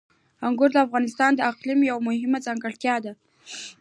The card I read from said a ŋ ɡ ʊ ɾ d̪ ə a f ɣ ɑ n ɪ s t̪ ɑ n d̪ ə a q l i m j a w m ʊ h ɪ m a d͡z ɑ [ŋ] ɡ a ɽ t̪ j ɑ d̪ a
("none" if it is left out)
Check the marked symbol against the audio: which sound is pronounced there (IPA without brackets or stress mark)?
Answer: ŋ